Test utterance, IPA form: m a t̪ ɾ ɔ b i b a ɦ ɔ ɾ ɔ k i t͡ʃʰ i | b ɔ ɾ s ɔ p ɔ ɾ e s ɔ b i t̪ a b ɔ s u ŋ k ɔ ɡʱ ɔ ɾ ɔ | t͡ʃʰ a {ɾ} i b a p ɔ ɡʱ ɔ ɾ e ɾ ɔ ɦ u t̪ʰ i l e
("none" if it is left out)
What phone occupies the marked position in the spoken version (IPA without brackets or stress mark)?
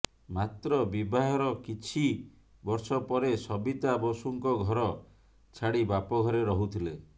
ɽ